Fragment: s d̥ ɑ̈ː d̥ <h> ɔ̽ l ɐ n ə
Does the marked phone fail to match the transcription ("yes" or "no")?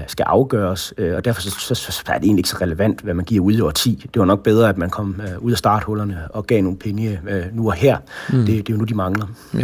no